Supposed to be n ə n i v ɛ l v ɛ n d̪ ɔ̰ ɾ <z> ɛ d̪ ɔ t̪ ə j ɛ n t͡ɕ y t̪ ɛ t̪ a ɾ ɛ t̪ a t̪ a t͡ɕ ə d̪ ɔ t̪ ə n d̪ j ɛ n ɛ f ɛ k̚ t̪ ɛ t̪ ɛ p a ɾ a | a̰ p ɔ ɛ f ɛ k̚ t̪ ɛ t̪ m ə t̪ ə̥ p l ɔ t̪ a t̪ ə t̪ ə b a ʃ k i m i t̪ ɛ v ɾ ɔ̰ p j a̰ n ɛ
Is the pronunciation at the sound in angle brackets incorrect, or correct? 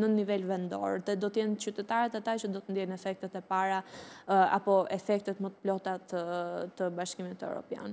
incorrect